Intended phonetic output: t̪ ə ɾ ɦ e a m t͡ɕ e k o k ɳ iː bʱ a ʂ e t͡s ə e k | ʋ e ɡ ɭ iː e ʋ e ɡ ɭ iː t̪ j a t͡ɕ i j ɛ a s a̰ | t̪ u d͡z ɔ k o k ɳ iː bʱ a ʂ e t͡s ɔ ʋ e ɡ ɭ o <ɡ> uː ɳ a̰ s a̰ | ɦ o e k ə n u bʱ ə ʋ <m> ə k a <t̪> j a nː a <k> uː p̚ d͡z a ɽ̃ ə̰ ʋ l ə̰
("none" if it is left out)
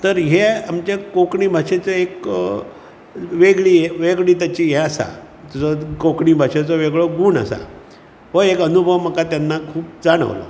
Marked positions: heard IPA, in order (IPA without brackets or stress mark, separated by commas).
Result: ɡ, m, t̪, kʰ